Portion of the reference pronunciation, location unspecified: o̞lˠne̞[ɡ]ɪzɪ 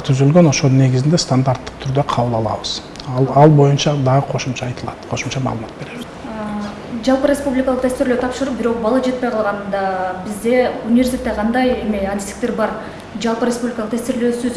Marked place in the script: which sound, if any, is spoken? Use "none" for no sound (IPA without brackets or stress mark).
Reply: ɡ